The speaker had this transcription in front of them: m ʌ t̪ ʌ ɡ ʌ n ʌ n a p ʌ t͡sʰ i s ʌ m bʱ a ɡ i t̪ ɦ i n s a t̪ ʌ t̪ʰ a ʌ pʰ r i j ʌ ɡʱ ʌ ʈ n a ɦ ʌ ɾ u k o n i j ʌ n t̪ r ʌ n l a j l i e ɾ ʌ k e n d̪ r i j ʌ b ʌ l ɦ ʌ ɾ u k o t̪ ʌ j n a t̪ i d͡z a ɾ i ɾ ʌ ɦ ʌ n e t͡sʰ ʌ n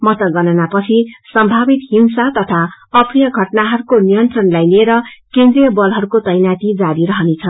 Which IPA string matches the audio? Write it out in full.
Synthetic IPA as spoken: m ʌ t̪ ʌ ɡ ʌ n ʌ n a p ʌ t͡sʰ i s ʌ m bʱ a b i t̪ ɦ i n s a t̪ ʌ t̪ʰ a ʌ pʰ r i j ʌ ɡʱ ʌ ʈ n a ɦ ʌ ɾ u k o n i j ʌ n t̪ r ʌ n l a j l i e ɾ ʌ k e n d̪ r i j ʌ b ʌ l ɦ ʌ ɾ u k o t̪ ʌ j n a t̪ i d͡z a ɾ i ɾ ʌ ɦ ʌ n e t͡sʰ ʌ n